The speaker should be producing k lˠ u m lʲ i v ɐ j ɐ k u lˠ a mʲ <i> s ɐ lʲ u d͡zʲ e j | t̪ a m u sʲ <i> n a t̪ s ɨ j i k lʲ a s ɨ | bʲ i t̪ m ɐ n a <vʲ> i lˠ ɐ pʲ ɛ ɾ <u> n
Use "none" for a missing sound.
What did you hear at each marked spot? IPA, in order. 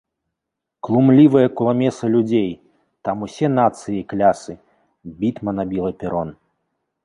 ɛ, ɛ, bʲ, ɔ

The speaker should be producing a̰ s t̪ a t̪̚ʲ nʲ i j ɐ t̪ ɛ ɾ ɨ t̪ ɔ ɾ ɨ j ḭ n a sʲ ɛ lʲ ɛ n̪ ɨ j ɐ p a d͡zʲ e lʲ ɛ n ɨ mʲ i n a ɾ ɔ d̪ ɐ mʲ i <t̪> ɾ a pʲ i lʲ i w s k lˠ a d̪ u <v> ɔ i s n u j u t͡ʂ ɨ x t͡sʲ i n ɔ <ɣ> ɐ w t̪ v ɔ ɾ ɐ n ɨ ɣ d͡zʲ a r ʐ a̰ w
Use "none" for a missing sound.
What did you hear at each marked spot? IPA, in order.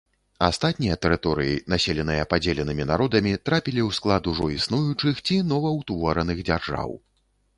t̪, ʐ, v

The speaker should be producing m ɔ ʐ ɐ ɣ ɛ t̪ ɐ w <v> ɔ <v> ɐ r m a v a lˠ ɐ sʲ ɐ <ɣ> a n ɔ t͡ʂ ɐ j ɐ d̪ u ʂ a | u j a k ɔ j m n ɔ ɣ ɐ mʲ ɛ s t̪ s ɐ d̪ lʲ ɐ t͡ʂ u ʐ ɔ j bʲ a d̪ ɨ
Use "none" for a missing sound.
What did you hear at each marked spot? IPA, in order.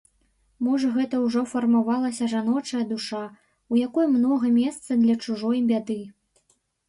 ʐ, f, ʐ

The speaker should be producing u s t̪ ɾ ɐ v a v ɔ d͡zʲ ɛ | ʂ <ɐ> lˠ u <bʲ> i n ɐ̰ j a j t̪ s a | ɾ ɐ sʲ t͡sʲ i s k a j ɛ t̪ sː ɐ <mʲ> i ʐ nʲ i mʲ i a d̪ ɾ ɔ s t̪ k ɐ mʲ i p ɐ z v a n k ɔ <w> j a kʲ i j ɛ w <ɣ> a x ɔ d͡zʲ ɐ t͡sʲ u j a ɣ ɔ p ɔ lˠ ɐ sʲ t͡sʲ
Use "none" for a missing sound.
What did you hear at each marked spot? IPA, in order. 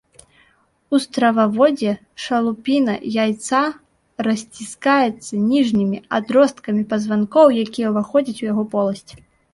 ɐ, pʲ, nʲ, w, v

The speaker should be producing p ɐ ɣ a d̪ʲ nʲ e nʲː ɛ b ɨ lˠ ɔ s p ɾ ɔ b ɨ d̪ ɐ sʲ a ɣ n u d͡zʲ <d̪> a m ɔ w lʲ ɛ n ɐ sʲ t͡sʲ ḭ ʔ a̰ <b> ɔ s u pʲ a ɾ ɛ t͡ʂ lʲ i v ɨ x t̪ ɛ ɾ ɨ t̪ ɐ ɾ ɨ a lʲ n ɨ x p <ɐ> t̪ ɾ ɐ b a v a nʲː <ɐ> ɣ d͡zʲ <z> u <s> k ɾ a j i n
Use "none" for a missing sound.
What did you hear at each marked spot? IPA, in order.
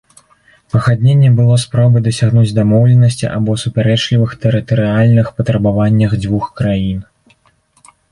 d̪, b, ɐ, ɐ, v, x

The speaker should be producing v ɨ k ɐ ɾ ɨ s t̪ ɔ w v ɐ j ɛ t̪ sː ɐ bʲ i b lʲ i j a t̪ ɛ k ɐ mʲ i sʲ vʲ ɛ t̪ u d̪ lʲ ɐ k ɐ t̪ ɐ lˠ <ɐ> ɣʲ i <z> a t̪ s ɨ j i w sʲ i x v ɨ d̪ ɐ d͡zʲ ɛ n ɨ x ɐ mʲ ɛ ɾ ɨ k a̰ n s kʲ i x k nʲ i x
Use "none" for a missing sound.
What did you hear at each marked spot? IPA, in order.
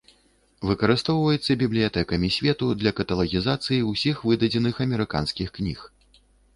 ɐ, z

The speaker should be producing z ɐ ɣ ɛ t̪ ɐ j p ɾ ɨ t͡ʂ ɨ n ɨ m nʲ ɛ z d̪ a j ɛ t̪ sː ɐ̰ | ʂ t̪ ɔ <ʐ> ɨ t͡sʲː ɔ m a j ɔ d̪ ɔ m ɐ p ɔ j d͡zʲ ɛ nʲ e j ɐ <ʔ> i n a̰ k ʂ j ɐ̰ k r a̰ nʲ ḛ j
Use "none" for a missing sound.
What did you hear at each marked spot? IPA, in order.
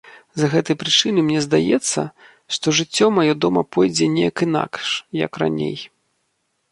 ʐ, k

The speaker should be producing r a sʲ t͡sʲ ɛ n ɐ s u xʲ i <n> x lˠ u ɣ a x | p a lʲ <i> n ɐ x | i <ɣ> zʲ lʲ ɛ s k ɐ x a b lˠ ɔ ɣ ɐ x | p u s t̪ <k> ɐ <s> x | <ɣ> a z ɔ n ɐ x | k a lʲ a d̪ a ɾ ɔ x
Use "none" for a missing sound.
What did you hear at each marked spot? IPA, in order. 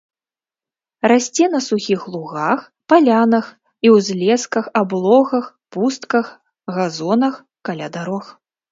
none, a, w, k, none, ɣ

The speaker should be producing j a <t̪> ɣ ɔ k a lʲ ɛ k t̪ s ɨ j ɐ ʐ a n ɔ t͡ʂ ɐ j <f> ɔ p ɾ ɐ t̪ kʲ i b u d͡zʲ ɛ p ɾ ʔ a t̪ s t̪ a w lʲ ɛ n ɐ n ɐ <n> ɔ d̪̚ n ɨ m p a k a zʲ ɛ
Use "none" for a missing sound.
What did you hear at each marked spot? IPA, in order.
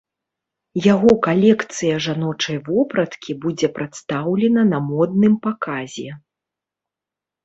none, v, m

